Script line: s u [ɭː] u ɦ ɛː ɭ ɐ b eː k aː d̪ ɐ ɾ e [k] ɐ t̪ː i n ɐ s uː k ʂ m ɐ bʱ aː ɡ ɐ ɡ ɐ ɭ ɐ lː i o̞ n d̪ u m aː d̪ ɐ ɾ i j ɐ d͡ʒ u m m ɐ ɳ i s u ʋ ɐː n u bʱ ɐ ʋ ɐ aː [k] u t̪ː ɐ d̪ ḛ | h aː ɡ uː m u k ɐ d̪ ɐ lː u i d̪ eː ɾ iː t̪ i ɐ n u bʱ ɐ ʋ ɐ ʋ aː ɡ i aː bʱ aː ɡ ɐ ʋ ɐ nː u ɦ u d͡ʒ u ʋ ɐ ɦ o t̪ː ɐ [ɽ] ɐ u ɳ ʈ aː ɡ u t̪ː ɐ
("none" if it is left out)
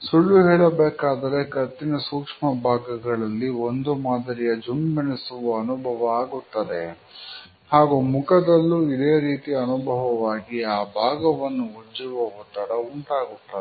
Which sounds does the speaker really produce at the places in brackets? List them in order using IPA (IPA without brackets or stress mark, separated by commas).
ɭː, k, ɡ, ɽ